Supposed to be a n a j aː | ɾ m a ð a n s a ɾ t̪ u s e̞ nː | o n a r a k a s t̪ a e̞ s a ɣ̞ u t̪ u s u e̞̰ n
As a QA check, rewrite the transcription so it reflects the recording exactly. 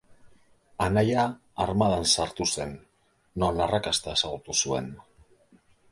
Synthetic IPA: a n a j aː | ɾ m a ð a n s a ɾ t̪ u s e̞ nː | o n a r a k a s t̪ a e̞ s a ɣ̞ u t̪ u s u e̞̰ n

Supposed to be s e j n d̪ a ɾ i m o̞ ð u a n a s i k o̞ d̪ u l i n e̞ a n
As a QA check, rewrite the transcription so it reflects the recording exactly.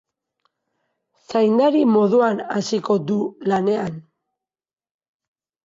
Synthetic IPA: s a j n d̪ a ɾ i m o̞ ð u a n a s i k o̞ d̪ u l a n e̞ a n

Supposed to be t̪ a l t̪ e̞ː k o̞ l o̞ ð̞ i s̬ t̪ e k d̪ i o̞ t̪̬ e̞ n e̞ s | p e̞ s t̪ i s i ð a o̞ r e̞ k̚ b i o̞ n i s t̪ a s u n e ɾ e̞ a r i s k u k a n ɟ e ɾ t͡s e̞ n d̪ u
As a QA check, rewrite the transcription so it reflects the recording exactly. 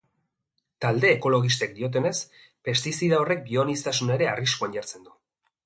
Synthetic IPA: t̪ a l d̪ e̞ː k o̞ l o̞ ɣ̞ i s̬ t̪ e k d̪ i o̞ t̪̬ e̞ n e̞ s | p e̞ s t̪ i s i ð a o̞ r e̞ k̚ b i o̞ n i s t̪ a s u n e ɾ e̞ a r i s k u a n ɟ a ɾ t͡s e̞ n d̪ u

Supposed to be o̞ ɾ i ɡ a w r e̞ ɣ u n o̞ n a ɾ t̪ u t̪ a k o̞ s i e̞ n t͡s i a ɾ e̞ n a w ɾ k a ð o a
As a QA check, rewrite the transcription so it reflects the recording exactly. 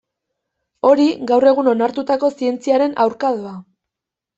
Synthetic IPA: o̞ ɾ i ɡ a w r e̞ ɣ u n o̞ n a ɾ t̪ u t̪ a k o̞ s i e̞ n t͡s i a ɾ e̞ n a w ɾ k a ð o a

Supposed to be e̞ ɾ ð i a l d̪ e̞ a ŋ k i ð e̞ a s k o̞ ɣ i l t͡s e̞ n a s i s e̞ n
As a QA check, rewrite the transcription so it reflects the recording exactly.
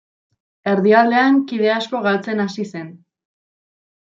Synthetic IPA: e̞ ɾ ð i a l d̪ e̞ a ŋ k i ð e̞ a s k o̞ ɣ a l t͡s e̞ n a s i s e̞ n

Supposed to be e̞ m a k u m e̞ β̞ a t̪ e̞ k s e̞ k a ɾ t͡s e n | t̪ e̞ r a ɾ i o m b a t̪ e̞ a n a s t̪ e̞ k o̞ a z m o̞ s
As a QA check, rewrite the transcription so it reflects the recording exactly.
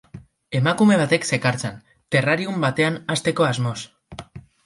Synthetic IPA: e̞ m a k u m e̞ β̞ a t̪ e̞ k s e̞ k a ɾ t͡s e n | t̪ e̞ r a ɾ i u m b a t̪ e̞ a n a s t̪ e̞ k o̞ a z m o̞ s

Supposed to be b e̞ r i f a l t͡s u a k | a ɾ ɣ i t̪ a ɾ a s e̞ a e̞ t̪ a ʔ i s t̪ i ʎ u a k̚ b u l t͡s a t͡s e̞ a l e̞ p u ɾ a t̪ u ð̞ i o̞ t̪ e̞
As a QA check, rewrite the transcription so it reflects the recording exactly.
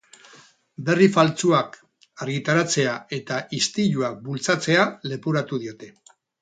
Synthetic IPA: b e̞ r i f a l t͡s u a k | a ɾ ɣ i t̪ a ɾ a t͡s e̞ a e̞ t̪ a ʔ i s t̪ i ʎ u a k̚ b u l t͡s a t͡s e̞ a l e̞ p u ɾ a t̪ u ð̞ i o̞ t̪ e̞

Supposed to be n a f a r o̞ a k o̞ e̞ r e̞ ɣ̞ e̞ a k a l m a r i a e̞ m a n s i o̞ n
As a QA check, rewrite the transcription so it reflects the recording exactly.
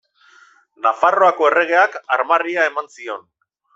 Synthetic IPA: n a f a r o̞ a k o̞ e̞ r e̞ ɣ̞ e̞ a k a ɾ m a r i a e̞ m a n s i o̞ n

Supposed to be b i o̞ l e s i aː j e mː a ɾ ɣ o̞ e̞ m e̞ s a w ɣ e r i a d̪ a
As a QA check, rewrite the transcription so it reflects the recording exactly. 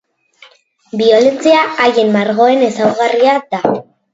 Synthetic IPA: b i o̞ l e t͡s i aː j e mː a ɾ ɣ o̞ e̞ n e̞ s a w ɣ a r i a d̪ a

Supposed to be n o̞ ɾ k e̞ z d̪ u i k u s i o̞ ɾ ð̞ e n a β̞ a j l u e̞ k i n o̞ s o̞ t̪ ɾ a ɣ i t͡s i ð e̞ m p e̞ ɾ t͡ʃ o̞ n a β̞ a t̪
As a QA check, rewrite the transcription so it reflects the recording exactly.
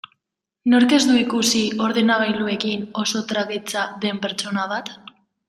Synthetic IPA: n o̞ ɾ k e̞ z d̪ u i k u s i o̞ ɾ ð̞ e n a β̞ a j l u e̞ k i n o̞ s o̞ t̪ ɾ a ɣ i t͡s a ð e̞ m p e̞ ɾ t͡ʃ o̞ n a β̞ a t̪

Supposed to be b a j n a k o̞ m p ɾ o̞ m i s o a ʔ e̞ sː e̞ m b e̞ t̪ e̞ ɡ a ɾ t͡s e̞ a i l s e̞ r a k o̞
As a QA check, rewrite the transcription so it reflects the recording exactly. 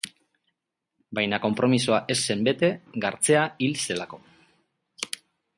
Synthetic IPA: b a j n a k o̞ m p ɾ o̞ m i s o a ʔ e̞ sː e̞ m b e̞ t̪ e̞ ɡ a ɾ t͡s e̞ a i l s e̞ l a k o̞

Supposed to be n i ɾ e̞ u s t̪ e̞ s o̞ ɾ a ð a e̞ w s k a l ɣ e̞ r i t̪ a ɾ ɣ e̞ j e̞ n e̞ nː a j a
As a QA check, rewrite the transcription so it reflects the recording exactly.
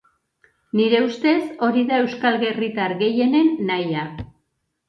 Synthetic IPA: n i ɾ e̞ u s t̪ e̞ s o̞ ɾ i ð a e̞ w s k a l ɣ e̞ r i t̪ a ɾ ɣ e̞ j e̞ n e̞ nː a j a

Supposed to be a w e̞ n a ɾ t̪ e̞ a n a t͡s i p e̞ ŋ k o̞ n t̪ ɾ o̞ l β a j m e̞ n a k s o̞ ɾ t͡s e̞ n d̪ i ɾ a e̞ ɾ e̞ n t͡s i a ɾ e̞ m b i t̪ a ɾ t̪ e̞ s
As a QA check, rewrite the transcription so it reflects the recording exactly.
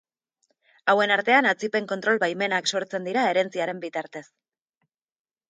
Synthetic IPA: a w e̞ n a ɾ t̪ e̞ a n a t͡s i p e̞ ŋ k o̞ n t̪ ɾ o̞ l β a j m e̞ n a k s o̞ ɾ t͡s e̞ n d̪ i ɾ a e̞ ɾ e̞ n t͡s i a ɾ e̞ m b i t̪ a ɾ t̪ e̞ s

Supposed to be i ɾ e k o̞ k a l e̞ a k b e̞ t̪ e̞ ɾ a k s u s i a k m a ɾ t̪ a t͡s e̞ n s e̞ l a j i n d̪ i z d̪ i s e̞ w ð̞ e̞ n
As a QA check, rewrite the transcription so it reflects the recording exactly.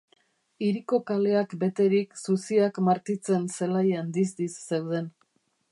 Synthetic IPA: i ɾ i k o̞ k a l e̞ a k b e̞ t̪ e̞ ɾ i k s u s i a k m a ɾ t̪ i t͡s e̞ n s e̞ l a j a n d̪ i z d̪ i sː e̞ w ð̞ e̞ n

